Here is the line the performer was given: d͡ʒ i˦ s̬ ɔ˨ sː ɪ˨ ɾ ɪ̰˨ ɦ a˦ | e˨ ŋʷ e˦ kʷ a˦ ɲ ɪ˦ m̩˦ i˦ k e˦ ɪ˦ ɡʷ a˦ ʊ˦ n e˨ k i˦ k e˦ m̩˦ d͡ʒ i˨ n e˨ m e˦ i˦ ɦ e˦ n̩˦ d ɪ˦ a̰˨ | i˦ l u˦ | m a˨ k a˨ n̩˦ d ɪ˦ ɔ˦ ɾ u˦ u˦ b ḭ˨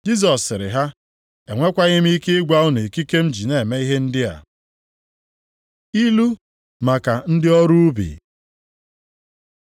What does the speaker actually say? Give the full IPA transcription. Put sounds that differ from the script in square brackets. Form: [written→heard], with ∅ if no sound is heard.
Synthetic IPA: d͡ʒ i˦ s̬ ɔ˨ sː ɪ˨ ɾ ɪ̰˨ ɦ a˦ | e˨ ŋʷ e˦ kʷ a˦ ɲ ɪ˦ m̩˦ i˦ k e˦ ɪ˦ ɡʷ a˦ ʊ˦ n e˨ k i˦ k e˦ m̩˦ d͡ʒ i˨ n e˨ m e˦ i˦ ɦ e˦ n̩˦ d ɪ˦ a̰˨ | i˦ l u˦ | m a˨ k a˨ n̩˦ d ɪ˦ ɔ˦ ɾ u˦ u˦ b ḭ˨